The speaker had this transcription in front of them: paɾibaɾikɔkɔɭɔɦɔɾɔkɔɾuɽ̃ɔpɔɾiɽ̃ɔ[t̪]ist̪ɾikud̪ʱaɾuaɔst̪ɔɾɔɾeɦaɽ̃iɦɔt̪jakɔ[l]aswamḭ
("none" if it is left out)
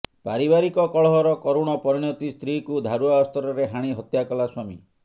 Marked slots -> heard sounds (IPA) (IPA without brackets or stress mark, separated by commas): t̪, l